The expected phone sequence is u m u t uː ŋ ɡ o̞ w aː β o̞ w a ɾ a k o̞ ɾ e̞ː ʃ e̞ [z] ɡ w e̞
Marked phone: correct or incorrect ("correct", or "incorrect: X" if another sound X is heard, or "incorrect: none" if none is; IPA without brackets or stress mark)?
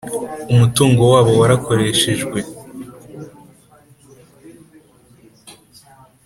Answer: incorrect: ʒ